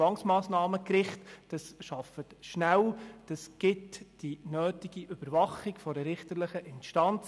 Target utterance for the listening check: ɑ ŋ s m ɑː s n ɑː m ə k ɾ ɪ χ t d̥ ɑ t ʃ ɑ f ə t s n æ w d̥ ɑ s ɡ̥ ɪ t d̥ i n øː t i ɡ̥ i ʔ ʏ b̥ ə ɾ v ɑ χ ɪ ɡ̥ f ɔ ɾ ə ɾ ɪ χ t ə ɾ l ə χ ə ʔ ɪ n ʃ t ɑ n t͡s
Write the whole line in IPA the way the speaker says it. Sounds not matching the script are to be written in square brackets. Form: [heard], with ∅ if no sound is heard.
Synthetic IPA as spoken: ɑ ŋ s m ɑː s n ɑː m ə k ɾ ɪ χ t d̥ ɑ [s] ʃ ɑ f ə t [ʃ] n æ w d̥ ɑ s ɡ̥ ɪ t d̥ i n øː t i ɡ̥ i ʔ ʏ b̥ ə ɾ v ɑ χ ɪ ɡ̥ f ɔ ɾ ə ɾ ɪ χ t ə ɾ l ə χ ə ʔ ɪ n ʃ t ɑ n t͡s